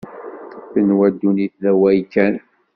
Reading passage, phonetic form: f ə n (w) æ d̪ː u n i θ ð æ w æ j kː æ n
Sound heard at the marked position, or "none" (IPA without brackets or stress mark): w